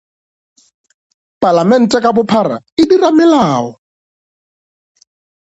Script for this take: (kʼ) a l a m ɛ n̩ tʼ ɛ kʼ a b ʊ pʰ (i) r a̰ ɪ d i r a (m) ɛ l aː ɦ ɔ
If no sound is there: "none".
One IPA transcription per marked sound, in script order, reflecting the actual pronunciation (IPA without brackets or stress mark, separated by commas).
pʼ, a, m